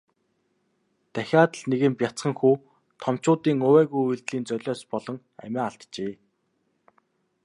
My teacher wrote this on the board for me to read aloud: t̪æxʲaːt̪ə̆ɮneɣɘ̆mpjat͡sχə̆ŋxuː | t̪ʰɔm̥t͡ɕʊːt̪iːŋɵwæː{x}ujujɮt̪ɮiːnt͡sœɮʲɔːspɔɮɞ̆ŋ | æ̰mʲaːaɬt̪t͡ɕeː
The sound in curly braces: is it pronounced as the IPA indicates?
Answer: no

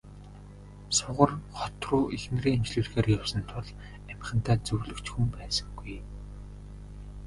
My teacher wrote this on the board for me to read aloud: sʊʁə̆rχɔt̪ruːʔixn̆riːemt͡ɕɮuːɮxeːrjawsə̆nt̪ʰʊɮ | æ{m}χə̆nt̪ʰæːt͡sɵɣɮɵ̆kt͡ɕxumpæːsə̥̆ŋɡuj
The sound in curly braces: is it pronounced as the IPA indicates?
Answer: yes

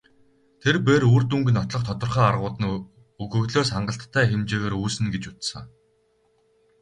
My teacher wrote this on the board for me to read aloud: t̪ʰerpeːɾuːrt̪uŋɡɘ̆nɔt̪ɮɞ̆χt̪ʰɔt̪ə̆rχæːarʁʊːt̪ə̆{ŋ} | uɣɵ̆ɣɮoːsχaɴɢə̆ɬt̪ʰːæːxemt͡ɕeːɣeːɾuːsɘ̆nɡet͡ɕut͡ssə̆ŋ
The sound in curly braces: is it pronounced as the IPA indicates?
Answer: no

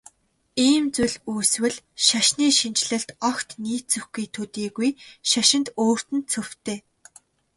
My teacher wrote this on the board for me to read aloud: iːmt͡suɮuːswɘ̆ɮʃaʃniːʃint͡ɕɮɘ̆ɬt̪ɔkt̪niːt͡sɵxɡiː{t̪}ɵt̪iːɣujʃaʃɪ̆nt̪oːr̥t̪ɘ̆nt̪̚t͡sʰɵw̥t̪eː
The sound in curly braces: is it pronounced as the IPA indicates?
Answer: no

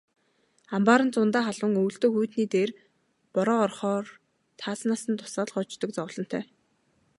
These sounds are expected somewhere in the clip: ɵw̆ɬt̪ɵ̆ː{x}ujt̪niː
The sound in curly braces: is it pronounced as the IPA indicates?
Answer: yes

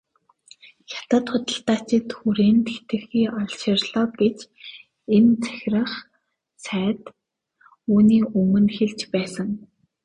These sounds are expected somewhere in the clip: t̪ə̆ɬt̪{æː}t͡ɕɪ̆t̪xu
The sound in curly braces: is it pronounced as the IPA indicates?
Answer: no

